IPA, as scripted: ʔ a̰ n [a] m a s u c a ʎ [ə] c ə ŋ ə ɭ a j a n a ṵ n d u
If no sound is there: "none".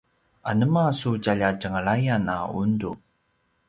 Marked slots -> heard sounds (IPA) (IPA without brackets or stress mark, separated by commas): ə, a